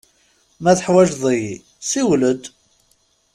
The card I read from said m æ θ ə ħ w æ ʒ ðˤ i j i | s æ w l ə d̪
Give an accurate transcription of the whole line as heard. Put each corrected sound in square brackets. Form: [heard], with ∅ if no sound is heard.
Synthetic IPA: m æ θ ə ħ w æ ʒ ðˤ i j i | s [i] w l ə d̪